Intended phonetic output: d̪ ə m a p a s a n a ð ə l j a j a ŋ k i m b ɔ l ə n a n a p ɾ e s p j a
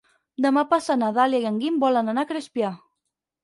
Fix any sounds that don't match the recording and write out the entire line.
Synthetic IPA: d̪ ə m a p a s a n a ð a l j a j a ŋ ɡ i m b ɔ l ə n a n a k ɾ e s p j a